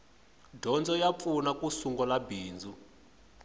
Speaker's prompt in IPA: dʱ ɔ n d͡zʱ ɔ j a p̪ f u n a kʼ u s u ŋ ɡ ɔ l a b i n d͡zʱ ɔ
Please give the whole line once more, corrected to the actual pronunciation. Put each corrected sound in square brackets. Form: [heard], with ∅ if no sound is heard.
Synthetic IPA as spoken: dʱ ɔ n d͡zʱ ɔ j a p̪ f u n a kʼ u s u ŋ ɡ ɔ l a b [iː] n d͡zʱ [u]